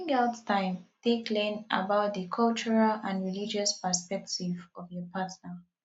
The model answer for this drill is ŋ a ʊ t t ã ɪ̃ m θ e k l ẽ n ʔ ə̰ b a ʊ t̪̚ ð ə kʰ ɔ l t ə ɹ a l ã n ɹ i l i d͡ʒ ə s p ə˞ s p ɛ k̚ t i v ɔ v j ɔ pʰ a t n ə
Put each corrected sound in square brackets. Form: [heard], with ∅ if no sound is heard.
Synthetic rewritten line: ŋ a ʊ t t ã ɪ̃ m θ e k l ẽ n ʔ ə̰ b a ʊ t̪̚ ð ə kʰ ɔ l [t͡ʃ] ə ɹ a l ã n ɹ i l i d͡ʒ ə s p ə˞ s p ɛ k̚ t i v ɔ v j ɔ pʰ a t n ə

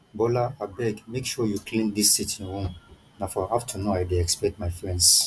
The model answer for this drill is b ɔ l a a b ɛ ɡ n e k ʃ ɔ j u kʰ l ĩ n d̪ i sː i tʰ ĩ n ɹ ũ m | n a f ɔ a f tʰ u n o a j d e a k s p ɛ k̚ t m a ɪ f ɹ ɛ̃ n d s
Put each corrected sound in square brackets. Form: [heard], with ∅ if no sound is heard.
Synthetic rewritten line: b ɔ l a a b ɛ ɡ [m] e k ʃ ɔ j u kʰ l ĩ n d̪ i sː i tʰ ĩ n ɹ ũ m | n a f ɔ a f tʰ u n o a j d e [ɛ] k s p ɛ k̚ t m a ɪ f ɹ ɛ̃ n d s

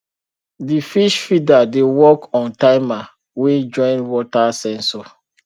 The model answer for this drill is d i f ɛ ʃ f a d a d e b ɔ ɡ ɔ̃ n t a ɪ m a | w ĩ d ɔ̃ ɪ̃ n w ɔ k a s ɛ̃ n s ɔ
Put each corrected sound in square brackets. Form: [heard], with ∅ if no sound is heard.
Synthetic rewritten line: d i f [i] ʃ f [i] d a d e [w] ɔ [k] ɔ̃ n t a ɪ m a | w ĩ [d͡ʒ] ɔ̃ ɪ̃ n w ɔ [t] a s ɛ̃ n s ɔ

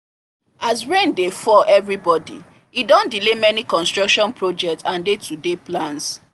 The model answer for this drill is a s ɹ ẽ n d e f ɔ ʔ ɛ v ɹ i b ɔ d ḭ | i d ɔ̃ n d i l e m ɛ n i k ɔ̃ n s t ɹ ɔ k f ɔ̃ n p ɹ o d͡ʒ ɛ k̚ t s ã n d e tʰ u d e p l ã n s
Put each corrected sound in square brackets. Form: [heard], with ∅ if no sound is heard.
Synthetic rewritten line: a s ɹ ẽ n d e f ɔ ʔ ɛ v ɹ i b ɔ d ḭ | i d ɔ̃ n d i l e m ɛ n i k ɔ̃ n s t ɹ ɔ k [ʃ] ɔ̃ n p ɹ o d͡ʒ ɛ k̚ t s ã n d e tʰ u d e p l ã n s

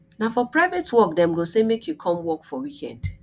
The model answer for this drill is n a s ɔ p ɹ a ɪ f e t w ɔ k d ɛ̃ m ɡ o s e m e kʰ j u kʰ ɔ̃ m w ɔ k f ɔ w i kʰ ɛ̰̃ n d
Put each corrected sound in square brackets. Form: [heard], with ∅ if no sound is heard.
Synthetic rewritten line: n a [f] ɔ p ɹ a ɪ [v] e t w ɔ k d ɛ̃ m ɡ o s e m e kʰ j u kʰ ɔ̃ m w ɔ k f ɔ w i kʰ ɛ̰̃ n d

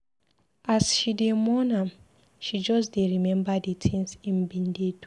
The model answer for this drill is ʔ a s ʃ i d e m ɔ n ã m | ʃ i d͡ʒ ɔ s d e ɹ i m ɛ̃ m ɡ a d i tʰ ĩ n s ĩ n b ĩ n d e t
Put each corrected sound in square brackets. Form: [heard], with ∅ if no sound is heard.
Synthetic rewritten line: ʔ a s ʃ i d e m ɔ n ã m | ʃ i d͡ʒ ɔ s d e ɹ i m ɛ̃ m [b] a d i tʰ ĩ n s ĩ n b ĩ n d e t

